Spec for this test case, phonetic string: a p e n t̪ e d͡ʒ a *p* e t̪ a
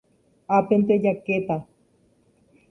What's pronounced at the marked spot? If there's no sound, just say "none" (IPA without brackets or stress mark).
k